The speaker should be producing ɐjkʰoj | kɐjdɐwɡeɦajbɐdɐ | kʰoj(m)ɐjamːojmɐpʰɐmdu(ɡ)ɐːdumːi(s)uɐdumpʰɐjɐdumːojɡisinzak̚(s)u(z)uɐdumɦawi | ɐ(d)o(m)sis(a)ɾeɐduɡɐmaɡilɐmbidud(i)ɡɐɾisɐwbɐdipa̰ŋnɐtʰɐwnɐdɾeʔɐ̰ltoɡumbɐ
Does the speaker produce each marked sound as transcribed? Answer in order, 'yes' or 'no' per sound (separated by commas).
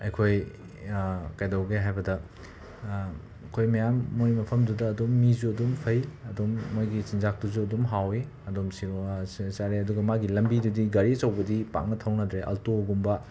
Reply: yes, no, no, no, yes, yes, yes, yes, yes